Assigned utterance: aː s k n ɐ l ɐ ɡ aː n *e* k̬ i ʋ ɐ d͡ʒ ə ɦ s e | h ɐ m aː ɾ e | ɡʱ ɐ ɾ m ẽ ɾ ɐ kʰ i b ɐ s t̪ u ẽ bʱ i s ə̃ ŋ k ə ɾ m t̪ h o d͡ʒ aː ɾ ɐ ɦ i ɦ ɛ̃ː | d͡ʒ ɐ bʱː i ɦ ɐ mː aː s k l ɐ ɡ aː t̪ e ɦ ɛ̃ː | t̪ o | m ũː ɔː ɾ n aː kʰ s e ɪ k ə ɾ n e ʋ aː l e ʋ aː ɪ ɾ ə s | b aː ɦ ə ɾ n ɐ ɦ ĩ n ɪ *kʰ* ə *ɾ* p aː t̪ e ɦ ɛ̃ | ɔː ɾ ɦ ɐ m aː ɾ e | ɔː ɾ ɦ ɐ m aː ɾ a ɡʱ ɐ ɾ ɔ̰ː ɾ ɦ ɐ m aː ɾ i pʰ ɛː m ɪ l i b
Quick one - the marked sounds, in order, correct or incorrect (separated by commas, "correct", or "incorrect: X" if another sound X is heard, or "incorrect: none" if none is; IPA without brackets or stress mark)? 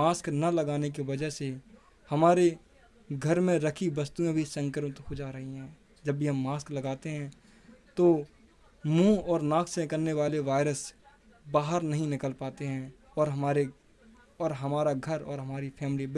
correct, incorrect: k, incorrect: l